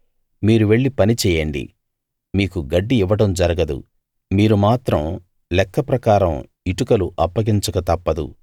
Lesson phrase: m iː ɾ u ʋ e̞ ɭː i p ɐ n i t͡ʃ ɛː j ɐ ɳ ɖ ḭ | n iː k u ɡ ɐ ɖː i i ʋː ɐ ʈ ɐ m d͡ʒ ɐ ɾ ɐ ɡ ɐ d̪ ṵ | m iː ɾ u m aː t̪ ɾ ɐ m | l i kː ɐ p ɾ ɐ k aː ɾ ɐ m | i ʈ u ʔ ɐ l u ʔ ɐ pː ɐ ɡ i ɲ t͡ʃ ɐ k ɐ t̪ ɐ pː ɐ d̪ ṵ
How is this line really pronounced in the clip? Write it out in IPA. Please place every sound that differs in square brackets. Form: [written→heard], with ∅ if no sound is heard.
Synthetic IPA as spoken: m iː ɾ u ʋ e̞ ɭː i p ɐ n i t͡ʃ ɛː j ɐ ɳ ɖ ḭ | [n→m] iː k u ɡ ɐ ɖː i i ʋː ɐ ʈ ɐ m d͡ʒ ɐ ɾ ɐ ɡ ɐ d̪ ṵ | m iː ɾ u m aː t̪ ɾ ɐ m | l [i→ɛ] kː ɐ p ɾ ɐ k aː ɾ ɐ m | i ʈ u [ʔ→k] ɐ l u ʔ ɐ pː ɐ ɡ i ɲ t͡ʃ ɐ k ɐ t̪ ɐ pː ɐ d̪ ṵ